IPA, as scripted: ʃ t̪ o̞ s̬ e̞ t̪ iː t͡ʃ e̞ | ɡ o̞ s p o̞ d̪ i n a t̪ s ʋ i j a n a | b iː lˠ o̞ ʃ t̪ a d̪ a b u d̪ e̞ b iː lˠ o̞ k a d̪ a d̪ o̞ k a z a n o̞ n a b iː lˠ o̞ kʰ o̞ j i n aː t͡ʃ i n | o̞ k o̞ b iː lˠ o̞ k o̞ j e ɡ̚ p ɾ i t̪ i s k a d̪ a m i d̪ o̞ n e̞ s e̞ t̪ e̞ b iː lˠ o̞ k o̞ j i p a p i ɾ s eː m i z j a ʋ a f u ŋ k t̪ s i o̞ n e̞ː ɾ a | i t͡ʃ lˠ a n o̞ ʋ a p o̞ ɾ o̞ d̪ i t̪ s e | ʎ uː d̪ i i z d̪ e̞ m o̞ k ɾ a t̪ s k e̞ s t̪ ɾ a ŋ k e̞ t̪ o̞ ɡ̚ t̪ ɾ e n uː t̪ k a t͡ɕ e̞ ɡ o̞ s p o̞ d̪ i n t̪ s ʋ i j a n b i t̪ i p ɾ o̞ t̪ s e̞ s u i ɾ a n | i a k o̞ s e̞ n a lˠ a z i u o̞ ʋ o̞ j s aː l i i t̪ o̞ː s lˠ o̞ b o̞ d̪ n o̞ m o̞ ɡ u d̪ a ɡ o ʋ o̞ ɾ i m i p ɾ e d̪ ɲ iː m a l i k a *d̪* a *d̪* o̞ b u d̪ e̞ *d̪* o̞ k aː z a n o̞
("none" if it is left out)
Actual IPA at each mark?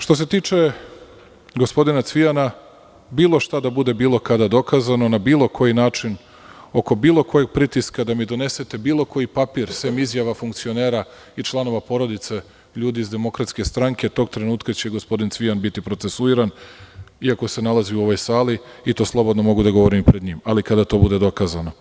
d̪, t̪, d̪

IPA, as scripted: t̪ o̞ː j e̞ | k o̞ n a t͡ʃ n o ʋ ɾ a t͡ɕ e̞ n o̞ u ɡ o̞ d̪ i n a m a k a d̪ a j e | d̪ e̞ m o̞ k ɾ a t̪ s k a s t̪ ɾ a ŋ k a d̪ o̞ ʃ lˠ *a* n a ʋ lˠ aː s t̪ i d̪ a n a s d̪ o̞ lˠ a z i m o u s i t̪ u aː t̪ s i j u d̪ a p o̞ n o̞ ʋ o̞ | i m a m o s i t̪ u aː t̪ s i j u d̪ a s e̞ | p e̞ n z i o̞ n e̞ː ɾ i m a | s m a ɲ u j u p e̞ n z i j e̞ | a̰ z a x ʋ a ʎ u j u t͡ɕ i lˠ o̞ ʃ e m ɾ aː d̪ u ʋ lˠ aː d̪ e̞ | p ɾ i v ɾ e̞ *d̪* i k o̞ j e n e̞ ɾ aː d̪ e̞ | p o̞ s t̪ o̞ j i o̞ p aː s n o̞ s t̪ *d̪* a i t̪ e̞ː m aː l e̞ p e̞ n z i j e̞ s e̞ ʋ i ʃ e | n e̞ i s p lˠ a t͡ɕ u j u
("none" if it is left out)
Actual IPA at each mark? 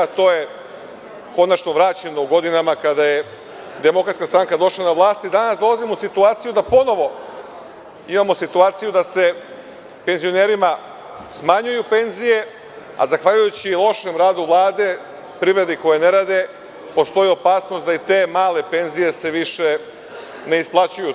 a, d̪, d̪

